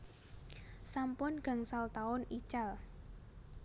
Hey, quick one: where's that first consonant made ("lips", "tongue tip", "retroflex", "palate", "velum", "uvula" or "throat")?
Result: tongue tip